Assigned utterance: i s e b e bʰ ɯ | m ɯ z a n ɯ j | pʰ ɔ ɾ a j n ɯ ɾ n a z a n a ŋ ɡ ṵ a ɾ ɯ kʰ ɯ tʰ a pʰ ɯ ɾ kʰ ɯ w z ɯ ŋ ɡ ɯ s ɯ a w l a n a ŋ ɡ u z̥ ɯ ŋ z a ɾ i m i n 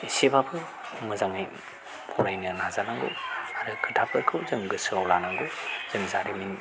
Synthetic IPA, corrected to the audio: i s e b a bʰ ɯ | m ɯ z a ŋ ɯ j | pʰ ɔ ɾ a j n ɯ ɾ n a z a n a ŋ ɡ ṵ a ɾ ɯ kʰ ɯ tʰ a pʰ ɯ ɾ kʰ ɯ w z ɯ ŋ ɡ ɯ s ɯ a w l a n a ŋ ɡ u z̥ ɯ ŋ z a ɾ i m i n